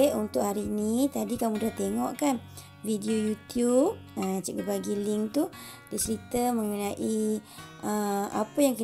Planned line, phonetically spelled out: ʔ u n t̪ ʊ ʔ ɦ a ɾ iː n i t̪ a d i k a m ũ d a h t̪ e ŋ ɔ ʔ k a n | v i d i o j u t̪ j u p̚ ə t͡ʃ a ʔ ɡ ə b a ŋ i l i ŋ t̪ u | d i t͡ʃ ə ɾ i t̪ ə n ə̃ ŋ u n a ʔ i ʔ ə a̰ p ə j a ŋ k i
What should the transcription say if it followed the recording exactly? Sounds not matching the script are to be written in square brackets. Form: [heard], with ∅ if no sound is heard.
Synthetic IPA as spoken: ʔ u n t̪ ʊ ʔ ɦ a ɾ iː n i t̪ a d i k a m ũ d a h t̪ e ŋ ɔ ʔ k a n | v i d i o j u t̪ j u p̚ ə t͡ʃ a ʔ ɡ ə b a [ɡ] i l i ŋ t̪ u | d i t͡ʃ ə ɾ i t̪ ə [m] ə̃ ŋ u n a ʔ i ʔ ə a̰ p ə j a ŋ k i

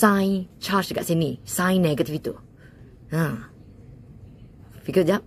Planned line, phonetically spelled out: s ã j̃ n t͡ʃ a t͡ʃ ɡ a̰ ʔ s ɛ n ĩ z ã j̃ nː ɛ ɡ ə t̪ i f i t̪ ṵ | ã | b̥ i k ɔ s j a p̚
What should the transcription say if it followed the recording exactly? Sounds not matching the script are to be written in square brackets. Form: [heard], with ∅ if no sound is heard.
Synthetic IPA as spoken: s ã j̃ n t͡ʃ a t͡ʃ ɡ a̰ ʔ s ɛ n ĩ [s] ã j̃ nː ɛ ɡ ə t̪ i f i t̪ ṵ | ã | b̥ i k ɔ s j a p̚

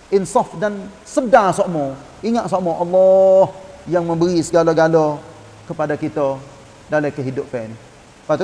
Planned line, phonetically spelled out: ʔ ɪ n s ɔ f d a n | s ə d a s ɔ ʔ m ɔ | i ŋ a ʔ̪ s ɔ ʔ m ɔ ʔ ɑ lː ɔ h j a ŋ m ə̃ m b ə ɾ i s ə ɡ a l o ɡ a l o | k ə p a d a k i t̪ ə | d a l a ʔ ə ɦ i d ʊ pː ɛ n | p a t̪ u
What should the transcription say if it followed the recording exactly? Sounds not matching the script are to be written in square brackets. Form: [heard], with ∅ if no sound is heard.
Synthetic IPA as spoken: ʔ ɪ n s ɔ f d a n | s ə d a s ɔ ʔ m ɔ | i ŋ a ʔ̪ s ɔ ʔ m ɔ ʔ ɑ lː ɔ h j a ŋ m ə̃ m b ə ɾ i s ə ɡ a l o ɡ a l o | k ə p a d a k i t̪ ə | d a l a [k] ə ɦ i d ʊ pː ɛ n | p a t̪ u

